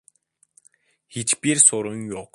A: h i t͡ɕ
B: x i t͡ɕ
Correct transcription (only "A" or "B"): B